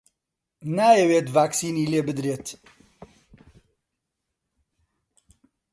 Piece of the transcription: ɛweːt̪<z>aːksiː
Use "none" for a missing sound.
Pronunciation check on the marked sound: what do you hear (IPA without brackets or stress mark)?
v